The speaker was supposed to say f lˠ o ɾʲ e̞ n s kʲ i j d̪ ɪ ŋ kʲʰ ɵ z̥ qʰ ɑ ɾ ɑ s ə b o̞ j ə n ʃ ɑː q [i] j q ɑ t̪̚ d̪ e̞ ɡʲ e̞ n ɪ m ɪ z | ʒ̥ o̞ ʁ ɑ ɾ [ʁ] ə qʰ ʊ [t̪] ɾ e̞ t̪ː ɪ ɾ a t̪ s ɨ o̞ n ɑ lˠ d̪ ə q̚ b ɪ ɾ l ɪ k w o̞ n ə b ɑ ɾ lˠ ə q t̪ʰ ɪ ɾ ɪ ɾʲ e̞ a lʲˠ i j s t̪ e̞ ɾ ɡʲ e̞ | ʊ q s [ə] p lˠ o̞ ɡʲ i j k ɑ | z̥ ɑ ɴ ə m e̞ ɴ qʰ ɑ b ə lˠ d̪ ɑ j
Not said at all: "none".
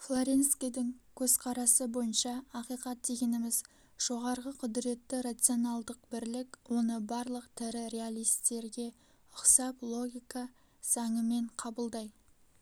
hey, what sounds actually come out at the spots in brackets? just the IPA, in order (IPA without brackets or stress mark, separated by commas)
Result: i, ʁ, d̪, ɑ